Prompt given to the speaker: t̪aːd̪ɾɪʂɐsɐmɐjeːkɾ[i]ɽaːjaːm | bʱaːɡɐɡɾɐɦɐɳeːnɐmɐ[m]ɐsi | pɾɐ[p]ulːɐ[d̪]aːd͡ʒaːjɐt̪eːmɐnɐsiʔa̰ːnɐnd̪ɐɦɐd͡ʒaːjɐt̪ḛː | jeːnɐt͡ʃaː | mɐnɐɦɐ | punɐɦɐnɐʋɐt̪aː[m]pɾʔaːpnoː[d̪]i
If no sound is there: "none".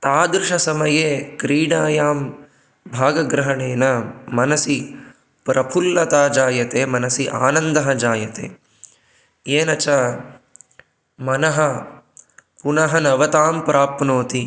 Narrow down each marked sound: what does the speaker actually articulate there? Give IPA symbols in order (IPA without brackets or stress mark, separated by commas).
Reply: iː, n, pʰ, t̪, m, t̪